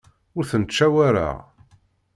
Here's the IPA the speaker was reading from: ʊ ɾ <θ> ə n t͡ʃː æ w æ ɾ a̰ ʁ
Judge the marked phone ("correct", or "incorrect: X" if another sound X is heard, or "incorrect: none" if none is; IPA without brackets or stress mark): correct